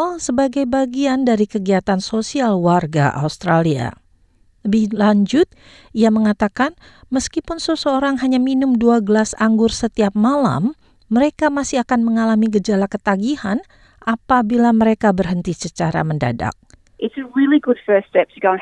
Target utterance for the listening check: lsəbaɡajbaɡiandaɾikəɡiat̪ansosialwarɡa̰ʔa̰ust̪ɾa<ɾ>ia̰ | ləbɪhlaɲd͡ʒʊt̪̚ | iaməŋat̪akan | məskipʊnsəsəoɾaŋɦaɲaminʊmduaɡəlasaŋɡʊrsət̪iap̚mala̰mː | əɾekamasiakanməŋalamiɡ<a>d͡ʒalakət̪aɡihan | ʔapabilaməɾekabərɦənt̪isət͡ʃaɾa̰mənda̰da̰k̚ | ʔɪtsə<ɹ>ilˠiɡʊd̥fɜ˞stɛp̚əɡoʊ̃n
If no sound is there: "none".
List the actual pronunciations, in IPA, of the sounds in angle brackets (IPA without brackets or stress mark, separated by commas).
l, ə, ɹ